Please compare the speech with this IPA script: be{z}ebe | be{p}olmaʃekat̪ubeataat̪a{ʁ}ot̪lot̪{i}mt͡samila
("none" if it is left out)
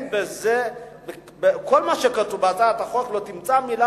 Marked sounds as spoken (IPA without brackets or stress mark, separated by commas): z, k, χ, i